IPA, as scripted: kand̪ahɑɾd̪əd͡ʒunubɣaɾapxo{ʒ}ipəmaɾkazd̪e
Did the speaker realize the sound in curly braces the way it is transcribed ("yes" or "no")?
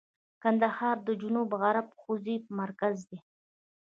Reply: no